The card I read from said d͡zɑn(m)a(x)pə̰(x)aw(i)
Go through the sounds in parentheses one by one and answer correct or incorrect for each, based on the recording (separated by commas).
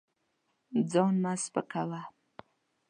correct, incorrect, incorrect, incorrect